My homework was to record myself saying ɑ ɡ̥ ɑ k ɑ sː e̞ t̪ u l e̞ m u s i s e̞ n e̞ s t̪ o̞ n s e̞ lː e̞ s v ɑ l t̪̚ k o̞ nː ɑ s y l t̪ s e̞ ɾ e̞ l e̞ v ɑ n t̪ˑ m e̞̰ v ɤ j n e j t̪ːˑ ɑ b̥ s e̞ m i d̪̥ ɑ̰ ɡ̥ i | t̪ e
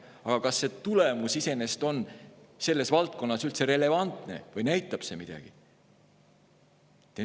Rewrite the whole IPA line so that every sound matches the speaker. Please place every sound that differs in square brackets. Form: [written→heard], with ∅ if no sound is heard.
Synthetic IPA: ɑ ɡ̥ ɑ k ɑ sː e̞ t̪ u l e̞ m u s i s e̞ n e̞ s t̪ o̞ n s e̞ lː e̞ s v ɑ l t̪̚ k o̞ nː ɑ s y l t̪ s e̞ ɾ e̞ l e̞ v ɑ n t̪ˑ [m→n] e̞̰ v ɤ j n [e→æ] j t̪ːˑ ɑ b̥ s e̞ m i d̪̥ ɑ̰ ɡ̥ i | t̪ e